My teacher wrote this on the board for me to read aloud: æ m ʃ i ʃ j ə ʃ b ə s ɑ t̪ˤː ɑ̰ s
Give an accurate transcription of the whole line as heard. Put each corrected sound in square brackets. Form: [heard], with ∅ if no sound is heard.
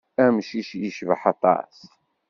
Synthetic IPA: æ m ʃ i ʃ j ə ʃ [v] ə [ħ] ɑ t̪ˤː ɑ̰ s